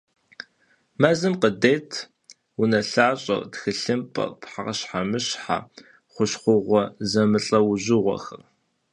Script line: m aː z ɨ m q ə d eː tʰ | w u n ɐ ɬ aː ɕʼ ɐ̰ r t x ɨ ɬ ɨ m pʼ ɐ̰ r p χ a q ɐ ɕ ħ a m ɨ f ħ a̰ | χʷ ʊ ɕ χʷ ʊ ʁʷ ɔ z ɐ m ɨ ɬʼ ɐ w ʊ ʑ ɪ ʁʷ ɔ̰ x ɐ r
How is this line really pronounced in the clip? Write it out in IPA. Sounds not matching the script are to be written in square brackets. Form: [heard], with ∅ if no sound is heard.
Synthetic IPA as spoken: m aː z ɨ m q ə d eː tʰ | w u n ɐ ɬ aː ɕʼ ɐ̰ r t x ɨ ɬ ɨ m pʼ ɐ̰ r p [ħ] a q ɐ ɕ ħ a m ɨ [ɕ] ħ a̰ | χʷ ʊ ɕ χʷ ʊ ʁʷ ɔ z ɐ m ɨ ɬʼ ɐ w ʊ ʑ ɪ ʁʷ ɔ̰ x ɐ r